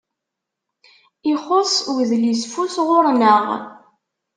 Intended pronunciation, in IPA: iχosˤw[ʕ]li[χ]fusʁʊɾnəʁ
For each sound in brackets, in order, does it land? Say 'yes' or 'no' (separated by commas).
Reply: no, no